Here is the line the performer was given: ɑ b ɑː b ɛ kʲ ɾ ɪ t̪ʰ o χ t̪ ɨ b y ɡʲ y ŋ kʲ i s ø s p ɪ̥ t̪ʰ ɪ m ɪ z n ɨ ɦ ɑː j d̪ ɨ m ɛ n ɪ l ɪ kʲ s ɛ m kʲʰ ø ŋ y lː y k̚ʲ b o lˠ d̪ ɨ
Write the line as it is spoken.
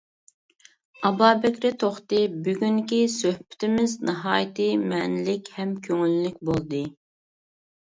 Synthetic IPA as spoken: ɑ b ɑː b ɛ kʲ ɾ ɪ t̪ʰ o χ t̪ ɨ b y ɡʲ y ŋ kʲ i s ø h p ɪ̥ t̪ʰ ɪ m ɪ z n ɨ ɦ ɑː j t̪ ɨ m ɛ n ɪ l ɪ kʲ h ɛ m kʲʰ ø ŋ y lː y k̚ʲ b o lˠ d̪ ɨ

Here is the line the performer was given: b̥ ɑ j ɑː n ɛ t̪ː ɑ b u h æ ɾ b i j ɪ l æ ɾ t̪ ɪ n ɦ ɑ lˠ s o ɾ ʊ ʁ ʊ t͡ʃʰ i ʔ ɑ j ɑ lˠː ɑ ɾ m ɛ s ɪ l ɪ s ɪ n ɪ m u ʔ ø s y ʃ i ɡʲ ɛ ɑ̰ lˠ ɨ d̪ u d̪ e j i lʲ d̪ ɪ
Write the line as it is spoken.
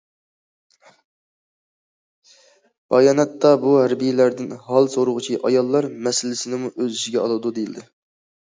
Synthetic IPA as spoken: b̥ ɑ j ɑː n ɛ t̪ː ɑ b u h æ ɾ b i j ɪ l æ ɾ d̪ ɪ n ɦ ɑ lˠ s o ɾ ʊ ʁ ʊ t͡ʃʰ i ʔ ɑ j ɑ lˠː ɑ ɾ m ɛ s ɪ l ɪ s ɪ n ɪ m u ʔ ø z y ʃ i ɡʲ ɛ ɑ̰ lˠ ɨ d̪ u d̪ e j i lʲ d̪ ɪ

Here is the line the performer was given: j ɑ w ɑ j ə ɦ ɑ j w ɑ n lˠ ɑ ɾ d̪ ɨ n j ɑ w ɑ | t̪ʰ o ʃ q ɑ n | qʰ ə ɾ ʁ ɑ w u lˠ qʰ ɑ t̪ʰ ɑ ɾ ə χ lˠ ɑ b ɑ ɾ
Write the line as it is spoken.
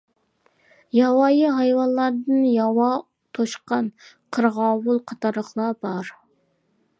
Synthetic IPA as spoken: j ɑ w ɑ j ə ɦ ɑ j w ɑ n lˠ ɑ ɾ d̪ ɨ n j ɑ w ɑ | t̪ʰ o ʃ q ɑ n | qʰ ə ɾ ʁ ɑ w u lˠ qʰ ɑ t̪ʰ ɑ ɾ ə χ lˠ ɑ b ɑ ɾ

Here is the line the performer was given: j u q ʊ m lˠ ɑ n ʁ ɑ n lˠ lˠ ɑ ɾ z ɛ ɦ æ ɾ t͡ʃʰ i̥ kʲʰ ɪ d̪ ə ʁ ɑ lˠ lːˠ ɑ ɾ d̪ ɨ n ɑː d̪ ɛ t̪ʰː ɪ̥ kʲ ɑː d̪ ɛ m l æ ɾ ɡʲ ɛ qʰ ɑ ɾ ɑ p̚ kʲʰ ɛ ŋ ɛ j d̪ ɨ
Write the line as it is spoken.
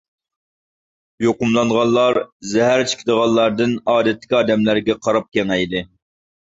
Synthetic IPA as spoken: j o q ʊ m lˠ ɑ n ʁ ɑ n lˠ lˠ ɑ ɾ z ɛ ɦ æ ɾ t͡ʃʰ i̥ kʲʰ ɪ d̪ ə ʁ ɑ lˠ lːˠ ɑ ɾ d̪ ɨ n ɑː d̪ ɛ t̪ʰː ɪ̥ kʲ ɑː d̪ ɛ m l æ ɾ ɡʲ ɛ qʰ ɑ ɾ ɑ p̚ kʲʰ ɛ ŋ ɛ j d̪ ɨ

